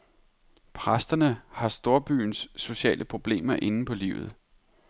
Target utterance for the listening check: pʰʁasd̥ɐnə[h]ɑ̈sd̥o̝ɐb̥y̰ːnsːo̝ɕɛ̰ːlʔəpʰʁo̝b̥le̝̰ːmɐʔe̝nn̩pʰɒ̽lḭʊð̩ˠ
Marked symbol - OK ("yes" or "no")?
yes